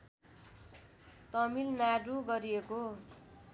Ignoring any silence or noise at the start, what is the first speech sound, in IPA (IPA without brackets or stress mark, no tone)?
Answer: t̪